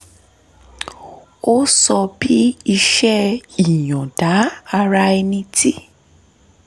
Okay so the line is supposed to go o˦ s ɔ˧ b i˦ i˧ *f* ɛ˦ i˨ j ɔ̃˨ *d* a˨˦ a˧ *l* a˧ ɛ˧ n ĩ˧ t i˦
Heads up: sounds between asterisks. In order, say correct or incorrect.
incorrect: ʃ, correct, incorrect: ɾ

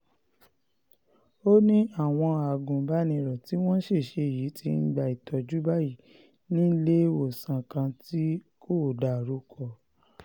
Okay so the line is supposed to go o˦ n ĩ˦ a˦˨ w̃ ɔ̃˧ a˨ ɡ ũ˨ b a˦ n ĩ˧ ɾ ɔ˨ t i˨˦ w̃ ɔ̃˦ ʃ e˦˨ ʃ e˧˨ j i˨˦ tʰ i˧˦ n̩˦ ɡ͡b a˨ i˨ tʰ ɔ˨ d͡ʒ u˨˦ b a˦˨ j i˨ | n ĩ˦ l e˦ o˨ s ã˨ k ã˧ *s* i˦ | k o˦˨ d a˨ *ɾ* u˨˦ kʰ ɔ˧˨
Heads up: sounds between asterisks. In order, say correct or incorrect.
incorrect: t, correct

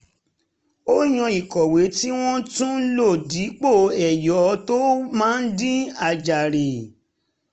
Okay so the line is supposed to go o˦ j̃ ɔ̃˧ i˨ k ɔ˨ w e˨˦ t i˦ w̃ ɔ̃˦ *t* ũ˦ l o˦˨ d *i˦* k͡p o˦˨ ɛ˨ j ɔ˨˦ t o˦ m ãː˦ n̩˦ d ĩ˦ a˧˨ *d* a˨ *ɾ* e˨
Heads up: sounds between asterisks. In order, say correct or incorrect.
correct, incorrect: i˨˦, incorrect: d͡ʒ, correct

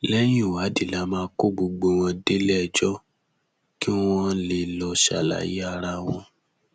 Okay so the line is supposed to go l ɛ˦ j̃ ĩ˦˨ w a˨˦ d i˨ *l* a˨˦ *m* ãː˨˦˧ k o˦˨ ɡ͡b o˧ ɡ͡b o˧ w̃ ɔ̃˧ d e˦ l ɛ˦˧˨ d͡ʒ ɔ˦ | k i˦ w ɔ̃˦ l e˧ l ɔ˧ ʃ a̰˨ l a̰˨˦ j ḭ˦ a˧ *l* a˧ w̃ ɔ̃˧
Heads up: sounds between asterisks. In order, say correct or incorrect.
correct, correct, incorrect: ɾ

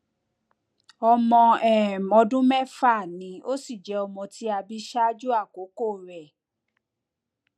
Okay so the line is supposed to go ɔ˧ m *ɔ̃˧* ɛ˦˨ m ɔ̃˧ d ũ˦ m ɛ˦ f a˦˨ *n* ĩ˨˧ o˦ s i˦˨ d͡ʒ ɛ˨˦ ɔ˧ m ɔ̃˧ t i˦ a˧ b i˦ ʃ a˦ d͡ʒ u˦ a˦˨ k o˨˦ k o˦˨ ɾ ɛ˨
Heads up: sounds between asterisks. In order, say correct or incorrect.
correct, correct

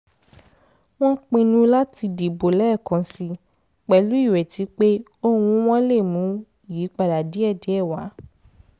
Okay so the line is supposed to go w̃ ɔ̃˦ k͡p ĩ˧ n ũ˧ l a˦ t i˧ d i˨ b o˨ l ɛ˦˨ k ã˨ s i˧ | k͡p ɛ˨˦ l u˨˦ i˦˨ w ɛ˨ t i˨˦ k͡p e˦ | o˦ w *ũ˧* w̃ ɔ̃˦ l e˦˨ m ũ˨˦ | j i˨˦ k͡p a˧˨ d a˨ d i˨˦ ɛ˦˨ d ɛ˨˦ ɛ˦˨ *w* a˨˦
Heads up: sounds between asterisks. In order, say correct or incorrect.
correct, correct

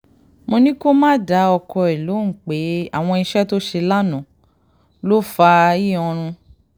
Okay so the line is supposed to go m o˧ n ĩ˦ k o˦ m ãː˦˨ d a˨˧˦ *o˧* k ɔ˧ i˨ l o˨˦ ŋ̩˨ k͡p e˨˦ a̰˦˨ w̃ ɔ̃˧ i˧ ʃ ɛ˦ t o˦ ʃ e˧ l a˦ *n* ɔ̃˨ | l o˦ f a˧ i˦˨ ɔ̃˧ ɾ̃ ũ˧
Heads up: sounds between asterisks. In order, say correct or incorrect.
incorrect: ɔ˧, correct

